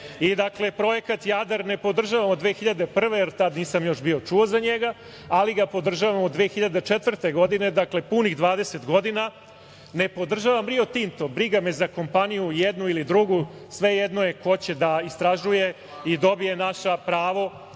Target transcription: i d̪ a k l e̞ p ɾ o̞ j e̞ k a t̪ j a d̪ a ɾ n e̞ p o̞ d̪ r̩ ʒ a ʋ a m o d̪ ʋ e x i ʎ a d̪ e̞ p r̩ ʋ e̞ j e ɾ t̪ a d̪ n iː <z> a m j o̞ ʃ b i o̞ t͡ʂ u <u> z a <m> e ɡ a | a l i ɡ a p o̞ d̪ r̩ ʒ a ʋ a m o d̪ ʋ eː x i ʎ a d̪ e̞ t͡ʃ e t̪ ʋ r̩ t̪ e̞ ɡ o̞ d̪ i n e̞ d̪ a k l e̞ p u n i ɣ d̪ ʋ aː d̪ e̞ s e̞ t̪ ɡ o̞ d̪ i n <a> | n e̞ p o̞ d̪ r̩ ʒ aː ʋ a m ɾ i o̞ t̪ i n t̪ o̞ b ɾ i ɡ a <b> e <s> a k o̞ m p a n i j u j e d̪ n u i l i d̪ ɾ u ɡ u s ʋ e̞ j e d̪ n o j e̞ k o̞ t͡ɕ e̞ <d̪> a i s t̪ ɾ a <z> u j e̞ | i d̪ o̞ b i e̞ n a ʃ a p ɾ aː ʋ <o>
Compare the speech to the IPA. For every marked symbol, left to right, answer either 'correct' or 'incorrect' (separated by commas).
incorrect, incorrect, incorrect, correct, incorrect, incorrect, correct, incorrect, correct